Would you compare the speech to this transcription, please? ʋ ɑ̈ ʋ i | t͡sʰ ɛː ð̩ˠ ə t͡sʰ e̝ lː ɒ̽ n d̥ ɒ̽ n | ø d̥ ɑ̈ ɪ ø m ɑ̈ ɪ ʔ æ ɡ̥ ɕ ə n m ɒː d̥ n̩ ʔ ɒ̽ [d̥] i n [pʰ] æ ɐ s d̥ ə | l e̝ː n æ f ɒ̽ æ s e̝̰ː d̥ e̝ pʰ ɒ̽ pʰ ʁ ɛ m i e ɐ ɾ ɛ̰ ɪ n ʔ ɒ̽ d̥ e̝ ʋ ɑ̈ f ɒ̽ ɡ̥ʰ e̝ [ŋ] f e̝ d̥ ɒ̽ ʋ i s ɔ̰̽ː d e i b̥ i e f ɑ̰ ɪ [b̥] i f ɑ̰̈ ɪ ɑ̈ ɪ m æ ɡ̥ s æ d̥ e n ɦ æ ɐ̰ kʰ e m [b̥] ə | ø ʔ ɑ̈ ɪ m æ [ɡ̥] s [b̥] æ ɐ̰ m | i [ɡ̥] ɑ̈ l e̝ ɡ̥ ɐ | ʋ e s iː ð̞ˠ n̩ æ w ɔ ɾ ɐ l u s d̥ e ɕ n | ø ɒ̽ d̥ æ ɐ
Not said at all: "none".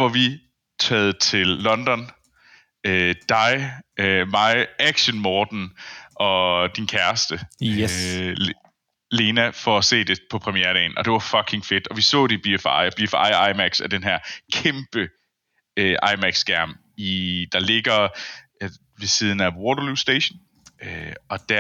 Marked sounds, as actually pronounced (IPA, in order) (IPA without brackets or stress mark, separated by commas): d̥, kʰ, ŋ, b̥, b̥, ɡ̥, ɡ̥, d̥